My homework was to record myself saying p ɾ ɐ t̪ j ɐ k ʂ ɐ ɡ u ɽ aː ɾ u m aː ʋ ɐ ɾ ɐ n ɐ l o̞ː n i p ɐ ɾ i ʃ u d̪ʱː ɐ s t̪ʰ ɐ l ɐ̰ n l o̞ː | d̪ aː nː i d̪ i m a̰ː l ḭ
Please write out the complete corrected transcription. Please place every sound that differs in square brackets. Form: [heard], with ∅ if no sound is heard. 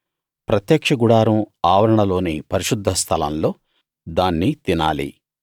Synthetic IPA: p ɾ ɐ t̪ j ɐ k ʂ ɐ ɡ u ɽ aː ɾ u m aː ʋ ɐ ɾ ɐ [ɳ] ɐ l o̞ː n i p ɐ ɾ i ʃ u d̪ʱː ɐ s t̪ʰ ɐ l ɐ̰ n l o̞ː | d̪ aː nː i [t̪] i [n] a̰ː l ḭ